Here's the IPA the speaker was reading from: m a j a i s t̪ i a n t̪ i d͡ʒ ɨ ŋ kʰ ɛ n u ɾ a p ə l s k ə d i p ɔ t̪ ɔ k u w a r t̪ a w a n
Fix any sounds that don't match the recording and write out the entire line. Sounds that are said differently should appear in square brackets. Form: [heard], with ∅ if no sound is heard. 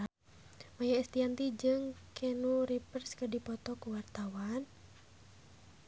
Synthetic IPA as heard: m a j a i s t̪ i a n t̪ i d͡ʒ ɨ ŋ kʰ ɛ n u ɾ [i] p ə [r] s k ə d i p ɔ t̪ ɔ k u w a r t̪ a w a n